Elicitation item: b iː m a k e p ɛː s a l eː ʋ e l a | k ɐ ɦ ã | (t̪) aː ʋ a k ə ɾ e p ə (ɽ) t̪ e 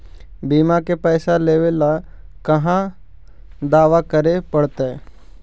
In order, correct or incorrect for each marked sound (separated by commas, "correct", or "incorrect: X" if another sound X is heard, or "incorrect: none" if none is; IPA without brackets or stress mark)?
incorrect: d̪, correct